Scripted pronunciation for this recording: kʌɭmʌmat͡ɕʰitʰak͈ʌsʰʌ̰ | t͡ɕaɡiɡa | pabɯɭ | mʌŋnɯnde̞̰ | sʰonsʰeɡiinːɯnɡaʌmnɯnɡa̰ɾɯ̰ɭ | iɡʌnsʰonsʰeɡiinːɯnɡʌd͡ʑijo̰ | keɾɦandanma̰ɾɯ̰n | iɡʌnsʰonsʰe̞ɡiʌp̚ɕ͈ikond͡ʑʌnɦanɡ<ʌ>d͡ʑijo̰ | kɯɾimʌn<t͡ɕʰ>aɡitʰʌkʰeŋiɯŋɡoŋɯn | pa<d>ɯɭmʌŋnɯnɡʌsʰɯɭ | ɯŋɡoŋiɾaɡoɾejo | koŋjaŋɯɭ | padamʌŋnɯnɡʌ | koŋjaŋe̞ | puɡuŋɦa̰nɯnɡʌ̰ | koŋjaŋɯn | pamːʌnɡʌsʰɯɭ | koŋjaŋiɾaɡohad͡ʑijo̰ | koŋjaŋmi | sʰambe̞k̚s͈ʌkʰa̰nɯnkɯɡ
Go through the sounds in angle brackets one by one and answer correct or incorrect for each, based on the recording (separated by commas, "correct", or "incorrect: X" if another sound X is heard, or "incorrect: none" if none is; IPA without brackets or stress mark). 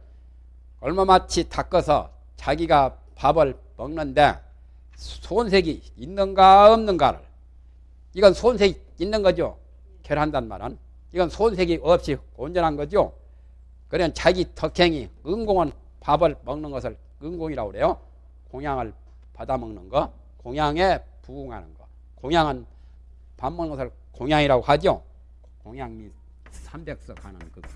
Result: correct, incorrect: t͡ɕ, incorrect: b